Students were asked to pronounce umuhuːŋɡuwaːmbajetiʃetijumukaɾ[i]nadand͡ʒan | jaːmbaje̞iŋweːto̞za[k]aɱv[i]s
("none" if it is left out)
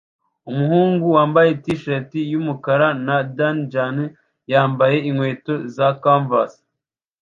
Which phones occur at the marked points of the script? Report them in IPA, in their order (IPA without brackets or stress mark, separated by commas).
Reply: a, k, a